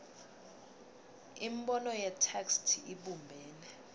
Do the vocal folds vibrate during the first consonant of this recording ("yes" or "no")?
yes